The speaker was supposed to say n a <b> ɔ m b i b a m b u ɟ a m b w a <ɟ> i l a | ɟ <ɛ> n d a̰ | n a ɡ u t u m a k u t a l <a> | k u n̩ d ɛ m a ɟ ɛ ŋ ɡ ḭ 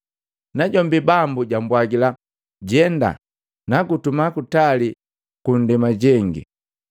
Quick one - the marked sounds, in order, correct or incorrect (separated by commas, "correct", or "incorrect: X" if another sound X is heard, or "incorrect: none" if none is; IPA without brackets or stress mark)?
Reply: incorrect: ɟ, incorrect: ɡ, correct, incorrect: i